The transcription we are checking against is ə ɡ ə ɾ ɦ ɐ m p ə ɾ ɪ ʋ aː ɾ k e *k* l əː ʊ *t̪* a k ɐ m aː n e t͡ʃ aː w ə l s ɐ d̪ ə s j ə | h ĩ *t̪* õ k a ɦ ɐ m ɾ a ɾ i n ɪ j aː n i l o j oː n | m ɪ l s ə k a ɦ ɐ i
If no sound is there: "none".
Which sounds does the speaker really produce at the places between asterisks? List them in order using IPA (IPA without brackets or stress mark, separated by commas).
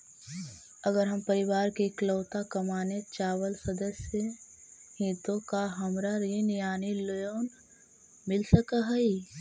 k, t̪, t̪